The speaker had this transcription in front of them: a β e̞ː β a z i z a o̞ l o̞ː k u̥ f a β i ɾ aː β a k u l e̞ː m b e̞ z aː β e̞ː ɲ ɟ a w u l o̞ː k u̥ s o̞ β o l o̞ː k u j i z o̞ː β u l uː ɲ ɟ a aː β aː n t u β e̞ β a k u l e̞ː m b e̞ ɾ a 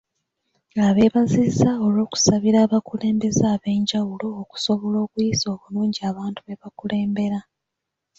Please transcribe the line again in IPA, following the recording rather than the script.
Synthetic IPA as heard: a β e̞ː β a z i z a o̞ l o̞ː k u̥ s a β i ɾ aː β a k u l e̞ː m b e̞ z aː β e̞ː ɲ ɟ a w u l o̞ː k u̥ s o̞ β o l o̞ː k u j i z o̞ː β u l uː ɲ ɟ i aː β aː n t u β e̞ β a k u l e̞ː m b e̞ ɾ a